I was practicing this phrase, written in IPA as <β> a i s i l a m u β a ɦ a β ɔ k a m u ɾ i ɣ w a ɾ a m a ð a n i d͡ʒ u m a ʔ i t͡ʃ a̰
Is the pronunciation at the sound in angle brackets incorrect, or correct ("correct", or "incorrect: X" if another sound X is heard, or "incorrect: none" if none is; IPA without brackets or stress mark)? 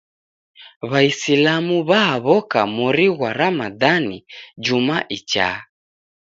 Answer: correct